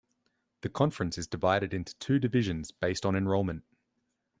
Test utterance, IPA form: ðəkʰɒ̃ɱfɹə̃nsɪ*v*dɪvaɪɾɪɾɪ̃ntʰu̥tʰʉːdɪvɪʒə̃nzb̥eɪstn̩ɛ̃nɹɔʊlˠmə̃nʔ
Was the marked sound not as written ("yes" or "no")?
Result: yes